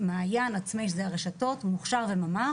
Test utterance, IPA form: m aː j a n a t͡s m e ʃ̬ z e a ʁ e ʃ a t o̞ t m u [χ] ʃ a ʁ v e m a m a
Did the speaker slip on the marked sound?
no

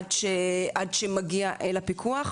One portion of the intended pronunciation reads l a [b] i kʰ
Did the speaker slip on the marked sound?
yes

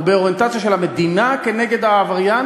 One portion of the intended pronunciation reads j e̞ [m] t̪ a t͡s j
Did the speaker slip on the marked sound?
yes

